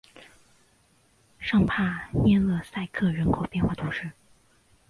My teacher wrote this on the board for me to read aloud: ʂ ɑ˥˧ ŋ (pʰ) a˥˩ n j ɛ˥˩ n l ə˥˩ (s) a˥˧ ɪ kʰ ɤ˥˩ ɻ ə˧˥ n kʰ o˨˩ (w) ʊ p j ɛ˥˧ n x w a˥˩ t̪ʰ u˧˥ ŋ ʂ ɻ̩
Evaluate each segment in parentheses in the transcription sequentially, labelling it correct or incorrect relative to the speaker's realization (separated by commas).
correct, correct, incorrect